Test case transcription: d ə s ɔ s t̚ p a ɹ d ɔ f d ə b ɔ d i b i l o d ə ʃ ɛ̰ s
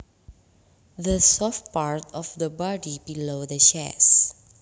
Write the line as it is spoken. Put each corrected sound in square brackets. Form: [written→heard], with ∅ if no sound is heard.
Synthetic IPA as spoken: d ə s ɔ [s→f] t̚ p a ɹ [d→t] ɔ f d ə b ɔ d i b i l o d ə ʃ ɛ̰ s